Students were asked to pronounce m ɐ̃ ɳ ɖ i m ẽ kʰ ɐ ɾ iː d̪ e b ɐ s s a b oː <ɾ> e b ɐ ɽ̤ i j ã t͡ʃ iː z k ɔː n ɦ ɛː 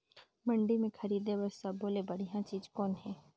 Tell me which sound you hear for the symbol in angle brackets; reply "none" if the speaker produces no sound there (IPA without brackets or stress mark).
l